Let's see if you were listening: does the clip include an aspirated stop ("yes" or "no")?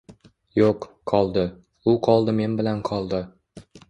yes